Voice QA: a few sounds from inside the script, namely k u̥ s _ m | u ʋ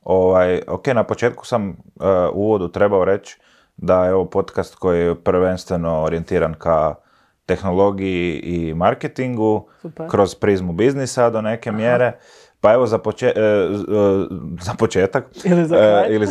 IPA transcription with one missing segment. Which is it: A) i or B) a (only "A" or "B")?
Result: B